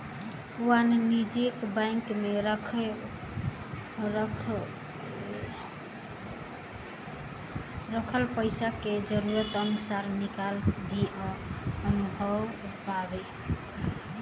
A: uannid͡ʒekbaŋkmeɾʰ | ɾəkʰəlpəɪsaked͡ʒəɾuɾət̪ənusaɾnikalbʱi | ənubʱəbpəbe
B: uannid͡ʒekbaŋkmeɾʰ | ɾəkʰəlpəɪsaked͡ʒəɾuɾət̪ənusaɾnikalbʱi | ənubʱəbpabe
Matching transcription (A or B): B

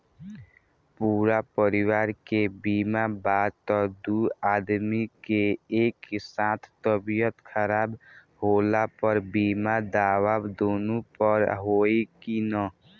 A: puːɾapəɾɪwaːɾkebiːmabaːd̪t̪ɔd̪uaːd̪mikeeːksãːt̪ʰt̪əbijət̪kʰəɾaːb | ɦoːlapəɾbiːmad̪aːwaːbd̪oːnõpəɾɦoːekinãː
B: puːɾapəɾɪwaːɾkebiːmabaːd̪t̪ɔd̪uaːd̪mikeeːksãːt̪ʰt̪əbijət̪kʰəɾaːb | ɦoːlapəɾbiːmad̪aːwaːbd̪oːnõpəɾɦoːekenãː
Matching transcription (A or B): A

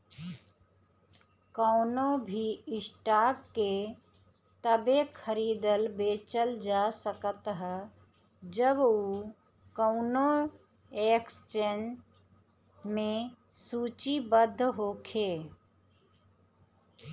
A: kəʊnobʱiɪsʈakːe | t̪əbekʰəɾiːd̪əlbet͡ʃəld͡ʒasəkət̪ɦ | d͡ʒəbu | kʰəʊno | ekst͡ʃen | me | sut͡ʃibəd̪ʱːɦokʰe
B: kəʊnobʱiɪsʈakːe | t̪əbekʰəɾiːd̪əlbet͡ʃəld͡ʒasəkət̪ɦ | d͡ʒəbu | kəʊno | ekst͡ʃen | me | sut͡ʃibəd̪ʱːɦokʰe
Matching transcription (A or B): B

